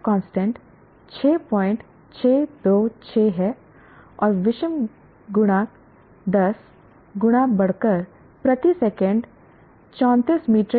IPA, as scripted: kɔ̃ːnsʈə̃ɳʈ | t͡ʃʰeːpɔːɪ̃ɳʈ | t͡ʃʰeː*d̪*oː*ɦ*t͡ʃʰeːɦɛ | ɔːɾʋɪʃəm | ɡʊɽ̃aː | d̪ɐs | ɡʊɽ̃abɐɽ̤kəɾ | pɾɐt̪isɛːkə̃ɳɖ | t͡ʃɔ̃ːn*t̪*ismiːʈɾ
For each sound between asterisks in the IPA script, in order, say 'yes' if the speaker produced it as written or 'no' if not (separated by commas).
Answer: yes, no, yes